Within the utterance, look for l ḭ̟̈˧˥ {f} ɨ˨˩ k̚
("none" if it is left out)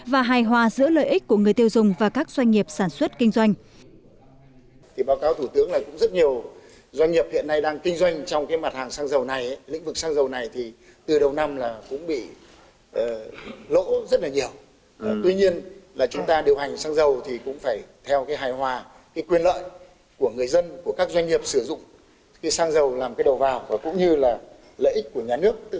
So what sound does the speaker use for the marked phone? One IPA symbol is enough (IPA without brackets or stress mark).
v